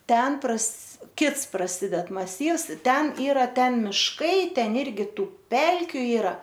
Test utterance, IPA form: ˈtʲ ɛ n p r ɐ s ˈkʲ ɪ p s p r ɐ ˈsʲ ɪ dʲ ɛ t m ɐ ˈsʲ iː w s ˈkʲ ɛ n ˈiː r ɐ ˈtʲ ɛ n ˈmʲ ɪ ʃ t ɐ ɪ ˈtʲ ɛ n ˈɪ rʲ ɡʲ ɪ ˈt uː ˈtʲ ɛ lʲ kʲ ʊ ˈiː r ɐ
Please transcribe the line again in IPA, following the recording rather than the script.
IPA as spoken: ˈtʲ ɛ n p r ɐ s ˈkʲ ɪ t s p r ɐ ˈsʲ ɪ dʲ ɛ t m ɐ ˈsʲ iː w s ˈtʲ ɛ n ˈiː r ɐ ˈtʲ ɛ n ˈmʲ ɪ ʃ k ɐ ɪ ˈtʲ ɛ n ˈɪ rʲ ɡʲ ɪ ˈt uː ˈpʲ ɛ lʲ kʲ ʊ ˈiː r ɐ